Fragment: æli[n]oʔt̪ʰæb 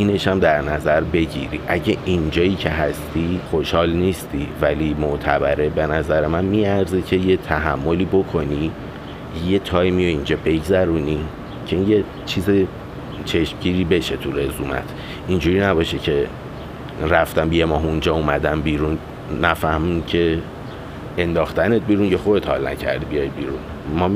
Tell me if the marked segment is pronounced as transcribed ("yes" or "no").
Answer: no